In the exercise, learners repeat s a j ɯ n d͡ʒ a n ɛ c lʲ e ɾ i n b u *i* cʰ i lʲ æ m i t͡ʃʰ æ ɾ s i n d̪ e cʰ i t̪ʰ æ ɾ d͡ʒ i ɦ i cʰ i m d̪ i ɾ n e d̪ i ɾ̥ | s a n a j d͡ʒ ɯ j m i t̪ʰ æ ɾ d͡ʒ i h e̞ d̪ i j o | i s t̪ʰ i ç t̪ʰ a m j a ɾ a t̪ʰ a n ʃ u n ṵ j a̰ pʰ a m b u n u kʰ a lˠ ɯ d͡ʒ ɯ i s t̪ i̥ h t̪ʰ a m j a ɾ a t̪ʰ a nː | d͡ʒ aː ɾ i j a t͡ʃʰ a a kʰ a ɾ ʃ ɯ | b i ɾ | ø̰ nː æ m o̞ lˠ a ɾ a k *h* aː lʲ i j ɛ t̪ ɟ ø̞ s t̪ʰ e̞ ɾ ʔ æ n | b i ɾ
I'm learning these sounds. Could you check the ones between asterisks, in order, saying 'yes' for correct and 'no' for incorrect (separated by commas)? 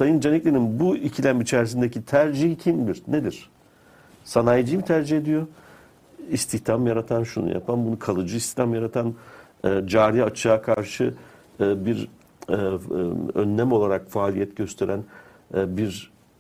yes, no